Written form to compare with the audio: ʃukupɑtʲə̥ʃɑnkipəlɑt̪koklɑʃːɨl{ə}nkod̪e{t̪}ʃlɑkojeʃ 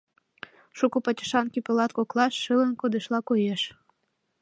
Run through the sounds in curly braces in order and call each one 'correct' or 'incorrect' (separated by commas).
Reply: correct, incorrect